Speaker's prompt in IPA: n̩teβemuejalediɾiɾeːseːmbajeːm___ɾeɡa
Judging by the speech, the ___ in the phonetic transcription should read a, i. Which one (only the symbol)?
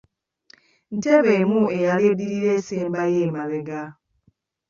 a